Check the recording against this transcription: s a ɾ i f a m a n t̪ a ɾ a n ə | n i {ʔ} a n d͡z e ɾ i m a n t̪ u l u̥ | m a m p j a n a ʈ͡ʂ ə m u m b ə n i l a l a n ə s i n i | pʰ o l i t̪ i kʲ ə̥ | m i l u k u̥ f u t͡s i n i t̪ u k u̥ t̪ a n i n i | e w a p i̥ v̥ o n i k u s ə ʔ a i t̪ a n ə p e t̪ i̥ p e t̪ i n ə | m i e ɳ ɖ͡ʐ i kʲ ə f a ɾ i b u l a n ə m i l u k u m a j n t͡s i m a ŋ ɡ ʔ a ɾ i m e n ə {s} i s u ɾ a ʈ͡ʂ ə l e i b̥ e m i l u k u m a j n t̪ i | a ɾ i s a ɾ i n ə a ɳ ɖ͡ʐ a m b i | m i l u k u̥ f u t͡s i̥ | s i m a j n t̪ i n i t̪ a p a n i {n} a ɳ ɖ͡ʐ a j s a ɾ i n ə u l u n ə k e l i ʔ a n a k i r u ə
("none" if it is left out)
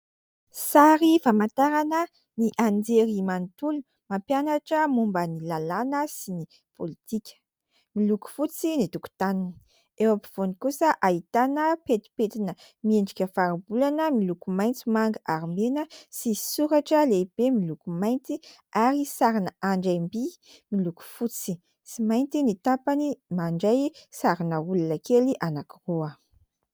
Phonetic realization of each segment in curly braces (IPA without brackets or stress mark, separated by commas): ʔ, s, m